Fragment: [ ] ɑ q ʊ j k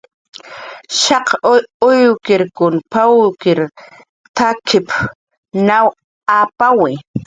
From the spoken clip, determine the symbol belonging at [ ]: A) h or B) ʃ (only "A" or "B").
B